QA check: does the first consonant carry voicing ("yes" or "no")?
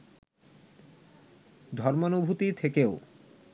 yes